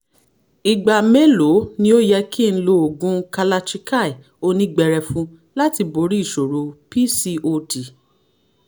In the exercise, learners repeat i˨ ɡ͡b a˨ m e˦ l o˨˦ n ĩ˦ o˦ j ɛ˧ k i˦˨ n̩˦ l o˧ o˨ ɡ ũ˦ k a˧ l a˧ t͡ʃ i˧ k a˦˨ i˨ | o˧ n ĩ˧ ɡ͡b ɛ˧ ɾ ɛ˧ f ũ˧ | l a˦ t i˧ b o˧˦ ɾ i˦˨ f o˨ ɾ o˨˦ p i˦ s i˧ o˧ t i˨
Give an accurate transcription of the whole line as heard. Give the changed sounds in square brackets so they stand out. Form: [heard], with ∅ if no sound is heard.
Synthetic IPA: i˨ ɡ͡b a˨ m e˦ l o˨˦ n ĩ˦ o˦ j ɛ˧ k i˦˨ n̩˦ l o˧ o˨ ɡ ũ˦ k a˧ l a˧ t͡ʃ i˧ k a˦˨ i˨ | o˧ n ĩ˧ ɡ͡b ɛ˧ ɾ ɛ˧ f ũ˧ | l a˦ t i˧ b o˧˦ ɾ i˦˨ [ʃ] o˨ ɾ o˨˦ p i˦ s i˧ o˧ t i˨